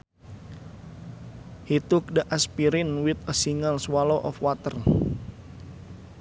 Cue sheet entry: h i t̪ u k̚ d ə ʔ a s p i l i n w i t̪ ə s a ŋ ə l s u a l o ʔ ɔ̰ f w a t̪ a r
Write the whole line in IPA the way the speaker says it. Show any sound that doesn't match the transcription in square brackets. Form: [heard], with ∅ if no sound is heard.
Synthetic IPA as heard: h i t̪ u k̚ d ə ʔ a s p i [ɾ] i n w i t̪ ə s [i] ŋ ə l s [w] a l o ʔ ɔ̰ f w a t̪ [ə] r